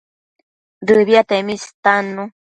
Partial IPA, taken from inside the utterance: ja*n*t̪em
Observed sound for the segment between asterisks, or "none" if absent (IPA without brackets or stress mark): none